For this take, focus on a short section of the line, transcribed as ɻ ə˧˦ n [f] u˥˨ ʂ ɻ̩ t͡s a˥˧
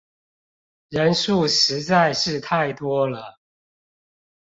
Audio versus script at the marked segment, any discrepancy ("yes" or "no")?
yes